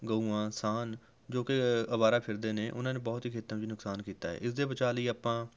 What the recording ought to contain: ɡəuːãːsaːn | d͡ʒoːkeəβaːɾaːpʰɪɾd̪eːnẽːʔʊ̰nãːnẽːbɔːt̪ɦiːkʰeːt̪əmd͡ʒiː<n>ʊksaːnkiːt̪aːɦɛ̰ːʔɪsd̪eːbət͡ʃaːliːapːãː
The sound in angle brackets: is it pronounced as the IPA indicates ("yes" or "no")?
yes